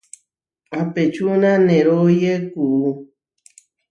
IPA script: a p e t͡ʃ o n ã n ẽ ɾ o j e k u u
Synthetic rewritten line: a p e t͡ʃ u n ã n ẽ ɾ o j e k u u